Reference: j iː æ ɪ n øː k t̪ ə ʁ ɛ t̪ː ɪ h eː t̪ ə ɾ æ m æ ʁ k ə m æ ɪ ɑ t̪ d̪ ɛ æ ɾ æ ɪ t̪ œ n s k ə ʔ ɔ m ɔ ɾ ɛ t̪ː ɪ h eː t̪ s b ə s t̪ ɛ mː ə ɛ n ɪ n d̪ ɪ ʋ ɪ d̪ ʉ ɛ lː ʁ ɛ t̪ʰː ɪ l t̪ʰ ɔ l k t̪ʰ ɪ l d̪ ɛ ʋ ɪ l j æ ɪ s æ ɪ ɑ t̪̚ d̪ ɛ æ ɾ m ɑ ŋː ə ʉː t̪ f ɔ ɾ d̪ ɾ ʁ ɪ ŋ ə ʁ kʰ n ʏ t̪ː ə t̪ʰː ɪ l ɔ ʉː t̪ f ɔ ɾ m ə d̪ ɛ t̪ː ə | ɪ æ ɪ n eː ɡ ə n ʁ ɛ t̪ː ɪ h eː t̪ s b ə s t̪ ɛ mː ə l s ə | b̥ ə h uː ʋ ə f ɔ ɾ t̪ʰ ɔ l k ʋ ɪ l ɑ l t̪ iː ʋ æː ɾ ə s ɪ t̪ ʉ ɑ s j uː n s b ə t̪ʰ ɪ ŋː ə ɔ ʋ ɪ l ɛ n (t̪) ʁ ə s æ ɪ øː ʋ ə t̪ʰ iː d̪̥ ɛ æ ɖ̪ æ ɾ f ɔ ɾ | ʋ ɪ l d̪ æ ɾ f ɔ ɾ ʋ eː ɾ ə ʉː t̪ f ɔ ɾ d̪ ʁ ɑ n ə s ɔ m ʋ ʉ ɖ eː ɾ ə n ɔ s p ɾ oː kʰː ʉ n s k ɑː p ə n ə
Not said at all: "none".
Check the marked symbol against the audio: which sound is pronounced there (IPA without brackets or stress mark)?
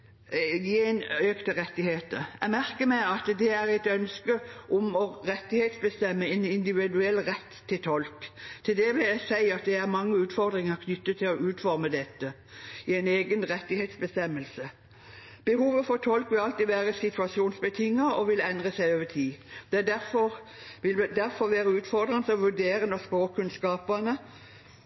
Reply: d̪